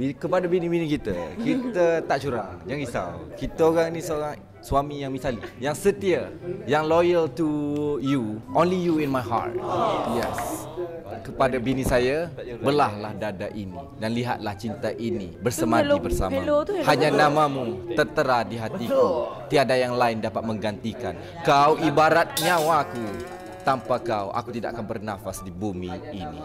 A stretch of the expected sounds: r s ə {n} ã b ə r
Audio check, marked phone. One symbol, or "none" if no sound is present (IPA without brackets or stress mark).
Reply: m